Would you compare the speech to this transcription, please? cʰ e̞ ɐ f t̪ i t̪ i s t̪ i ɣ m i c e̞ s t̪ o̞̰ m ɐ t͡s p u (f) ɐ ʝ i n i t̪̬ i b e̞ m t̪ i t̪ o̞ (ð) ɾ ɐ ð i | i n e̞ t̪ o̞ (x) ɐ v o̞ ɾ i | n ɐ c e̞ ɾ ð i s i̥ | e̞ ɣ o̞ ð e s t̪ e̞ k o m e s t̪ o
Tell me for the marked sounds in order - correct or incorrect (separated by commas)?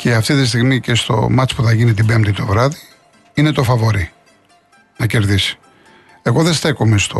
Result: incorrect, incorrect, incorrect